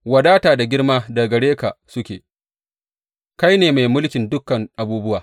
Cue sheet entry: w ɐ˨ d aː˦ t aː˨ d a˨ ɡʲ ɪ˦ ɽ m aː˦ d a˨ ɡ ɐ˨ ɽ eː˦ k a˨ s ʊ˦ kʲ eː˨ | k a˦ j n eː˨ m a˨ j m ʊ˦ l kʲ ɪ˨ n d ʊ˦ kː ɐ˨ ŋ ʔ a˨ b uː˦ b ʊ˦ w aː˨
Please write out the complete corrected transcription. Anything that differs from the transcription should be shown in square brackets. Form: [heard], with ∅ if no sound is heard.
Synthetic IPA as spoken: w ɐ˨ d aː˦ t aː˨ d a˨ ɡʲ ɪ˦ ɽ m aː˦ d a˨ ɡ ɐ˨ ɽ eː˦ k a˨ s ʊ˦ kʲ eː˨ | k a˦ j n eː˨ m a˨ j m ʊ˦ l kʲ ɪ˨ n d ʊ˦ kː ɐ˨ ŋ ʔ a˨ b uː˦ b ʊ˦ w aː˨